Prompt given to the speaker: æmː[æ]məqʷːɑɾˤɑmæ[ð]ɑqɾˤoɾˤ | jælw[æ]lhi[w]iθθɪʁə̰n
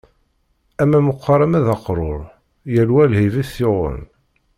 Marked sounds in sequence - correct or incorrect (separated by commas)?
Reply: correct, correct, correct, incorrect